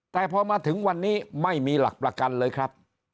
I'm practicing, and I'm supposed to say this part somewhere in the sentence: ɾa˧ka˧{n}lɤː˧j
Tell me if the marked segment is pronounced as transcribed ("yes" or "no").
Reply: yes